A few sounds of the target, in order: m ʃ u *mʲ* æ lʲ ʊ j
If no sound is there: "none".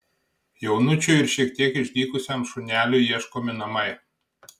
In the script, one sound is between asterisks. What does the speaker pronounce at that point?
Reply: nʲ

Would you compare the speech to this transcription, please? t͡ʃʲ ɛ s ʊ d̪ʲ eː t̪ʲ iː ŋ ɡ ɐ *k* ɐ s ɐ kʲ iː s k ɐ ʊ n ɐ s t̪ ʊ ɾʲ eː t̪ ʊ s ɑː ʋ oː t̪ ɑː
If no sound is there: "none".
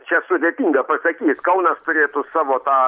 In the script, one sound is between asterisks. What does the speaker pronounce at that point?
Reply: p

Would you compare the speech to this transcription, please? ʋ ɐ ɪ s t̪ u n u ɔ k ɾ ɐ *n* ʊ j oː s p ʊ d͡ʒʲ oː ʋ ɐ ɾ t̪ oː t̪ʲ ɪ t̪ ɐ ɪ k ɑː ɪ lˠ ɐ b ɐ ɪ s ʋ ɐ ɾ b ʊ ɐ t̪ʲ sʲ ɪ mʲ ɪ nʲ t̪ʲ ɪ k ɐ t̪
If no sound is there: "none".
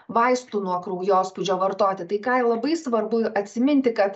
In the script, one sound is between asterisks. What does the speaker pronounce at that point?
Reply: none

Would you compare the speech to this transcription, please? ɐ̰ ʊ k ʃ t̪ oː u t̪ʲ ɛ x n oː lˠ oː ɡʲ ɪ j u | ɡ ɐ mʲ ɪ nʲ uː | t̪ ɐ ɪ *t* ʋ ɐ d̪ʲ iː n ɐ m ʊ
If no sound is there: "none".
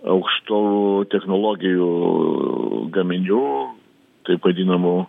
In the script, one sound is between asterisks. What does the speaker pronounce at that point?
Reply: p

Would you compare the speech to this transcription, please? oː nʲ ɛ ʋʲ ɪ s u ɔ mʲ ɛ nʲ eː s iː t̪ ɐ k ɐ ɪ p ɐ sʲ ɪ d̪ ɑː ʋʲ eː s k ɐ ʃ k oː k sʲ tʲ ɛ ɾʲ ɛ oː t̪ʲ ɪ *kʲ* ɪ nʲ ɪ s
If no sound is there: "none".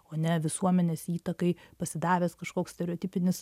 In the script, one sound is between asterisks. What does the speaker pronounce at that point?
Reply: pʲ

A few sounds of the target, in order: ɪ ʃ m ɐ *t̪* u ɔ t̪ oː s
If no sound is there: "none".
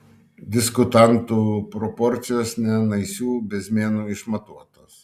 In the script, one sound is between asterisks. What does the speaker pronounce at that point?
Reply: t̪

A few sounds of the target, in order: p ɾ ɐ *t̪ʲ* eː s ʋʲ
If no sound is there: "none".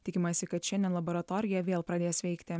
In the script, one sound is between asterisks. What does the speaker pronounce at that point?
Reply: d̪ʲ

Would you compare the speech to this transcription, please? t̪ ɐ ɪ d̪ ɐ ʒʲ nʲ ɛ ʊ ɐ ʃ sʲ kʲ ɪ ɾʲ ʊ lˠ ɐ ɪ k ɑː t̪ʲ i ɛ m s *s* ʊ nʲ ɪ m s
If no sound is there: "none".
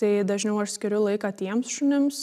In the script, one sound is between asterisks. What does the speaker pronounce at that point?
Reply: ʃ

